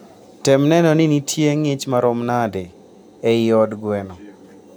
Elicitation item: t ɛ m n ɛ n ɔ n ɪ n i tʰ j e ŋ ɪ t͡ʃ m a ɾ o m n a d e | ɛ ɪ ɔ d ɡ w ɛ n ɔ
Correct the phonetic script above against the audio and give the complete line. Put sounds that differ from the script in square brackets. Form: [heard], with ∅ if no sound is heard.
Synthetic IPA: t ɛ m n ɛ n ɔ n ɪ n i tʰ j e ŋ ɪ t͡ʃ m a ɾ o m n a d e | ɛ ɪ ɔ d ɡ w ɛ n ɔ